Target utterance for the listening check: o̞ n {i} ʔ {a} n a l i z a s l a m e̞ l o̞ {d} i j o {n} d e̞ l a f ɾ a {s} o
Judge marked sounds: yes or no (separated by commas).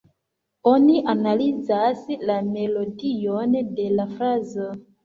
yes, yes, yes, yes, no